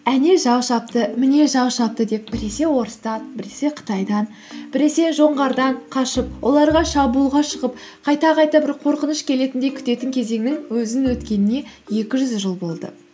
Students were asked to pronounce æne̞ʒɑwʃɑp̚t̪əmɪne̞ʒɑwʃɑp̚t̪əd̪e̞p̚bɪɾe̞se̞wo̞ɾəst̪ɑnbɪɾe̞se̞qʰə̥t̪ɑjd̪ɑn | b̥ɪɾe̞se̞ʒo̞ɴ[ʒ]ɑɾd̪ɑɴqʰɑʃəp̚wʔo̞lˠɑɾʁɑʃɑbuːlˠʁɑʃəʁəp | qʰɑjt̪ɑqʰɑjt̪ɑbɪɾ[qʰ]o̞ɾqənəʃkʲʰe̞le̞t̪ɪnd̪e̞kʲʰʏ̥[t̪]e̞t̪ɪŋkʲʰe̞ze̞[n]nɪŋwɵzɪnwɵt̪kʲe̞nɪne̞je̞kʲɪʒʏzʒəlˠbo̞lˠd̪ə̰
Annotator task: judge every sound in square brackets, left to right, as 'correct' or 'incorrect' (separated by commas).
incorrect, correct, correct, incorrect